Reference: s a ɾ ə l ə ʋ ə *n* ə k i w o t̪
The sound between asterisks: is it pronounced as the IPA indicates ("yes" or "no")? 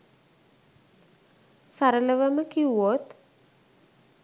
no